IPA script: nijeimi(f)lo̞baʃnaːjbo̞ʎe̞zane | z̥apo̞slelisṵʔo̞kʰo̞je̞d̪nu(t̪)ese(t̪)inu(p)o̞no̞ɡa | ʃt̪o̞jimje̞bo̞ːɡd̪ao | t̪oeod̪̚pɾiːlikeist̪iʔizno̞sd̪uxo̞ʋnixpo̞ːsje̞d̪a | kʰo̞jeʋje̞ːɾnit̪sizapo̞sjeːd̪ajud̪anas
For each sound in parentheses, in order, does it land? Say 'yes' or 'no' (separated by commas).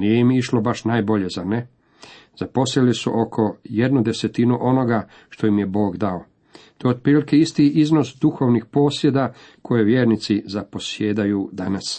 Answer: no, no, yes, no